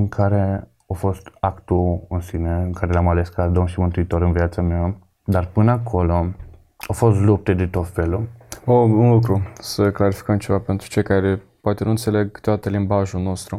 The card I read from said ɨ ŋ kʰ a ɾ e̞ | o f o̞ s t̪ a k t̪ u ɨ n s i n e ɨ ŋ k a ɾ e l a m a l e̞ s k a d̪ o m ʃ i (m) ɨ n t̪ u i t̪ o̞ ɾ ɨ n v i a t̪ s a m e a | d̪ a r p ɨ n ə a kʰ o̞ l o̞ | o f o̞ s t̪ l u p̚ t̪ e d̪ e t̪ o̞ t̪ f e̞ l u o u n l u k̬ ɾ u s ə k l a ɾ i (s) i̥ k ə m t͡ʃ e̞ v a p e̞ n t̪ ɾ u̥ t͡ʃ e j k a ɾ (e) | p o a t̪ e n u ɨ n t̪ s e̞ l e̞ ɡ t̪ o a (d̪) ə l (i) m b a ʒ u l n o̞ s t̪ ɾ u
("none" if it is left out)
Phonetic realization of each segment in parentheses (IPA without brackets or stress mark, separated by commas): m, f, e, t̪, i